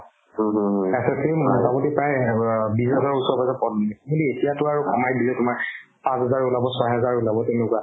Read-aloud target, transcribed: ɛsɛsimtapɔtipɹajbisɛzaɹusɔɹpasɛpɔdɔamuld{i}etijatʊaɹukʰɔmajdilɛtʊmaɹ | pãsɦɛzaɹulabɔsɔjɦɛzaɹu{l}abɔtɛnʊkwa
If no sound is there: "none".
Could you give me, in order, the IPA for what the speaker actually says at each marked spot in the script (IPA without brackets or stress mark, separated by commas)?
i, l